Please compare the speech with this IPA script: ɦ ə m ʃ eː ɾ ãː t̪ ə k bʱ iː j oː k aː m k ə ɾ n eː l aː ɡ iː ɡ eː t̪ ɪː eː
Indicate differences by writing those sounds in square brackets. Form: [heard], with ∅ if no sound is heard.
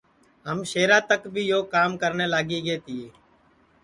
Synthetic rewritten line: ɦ ə m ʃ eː ɾ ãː t̪ ə k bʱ iː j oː k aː m k ə ɾ n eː l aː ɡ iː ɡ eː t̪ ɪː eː